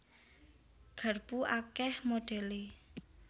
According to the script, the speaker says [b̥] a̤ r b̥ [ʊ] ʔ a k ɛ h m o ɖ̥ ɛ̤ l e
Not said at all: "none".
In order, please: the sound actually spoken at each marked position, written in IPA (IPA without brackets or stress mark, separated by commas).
ɡ̥, u